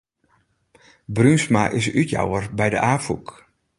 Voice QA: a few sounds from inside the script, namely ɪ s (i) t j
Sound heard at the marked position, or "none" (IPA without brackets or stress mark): y